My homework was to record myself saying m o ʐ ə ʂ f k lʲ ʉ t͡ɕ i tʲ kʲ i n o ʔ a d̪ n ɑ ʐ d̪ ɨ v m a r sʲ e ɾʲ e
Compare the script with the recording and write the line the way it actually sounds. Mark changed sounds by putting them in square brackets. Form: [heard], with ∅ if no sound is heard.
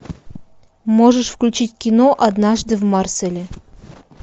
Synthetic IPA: m o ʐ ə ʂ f k lʲ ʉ t͡ɕ i tʲ kʲ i n o ʔ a d̪ n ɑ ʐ d̪ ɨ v m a r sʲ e [lʲ] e